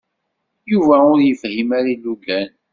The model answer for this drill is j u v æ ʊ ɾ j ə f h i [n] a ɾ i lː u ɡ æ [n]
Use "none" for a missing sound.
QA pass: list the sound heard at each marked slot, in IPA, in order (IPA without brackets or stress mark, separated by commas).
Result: m, n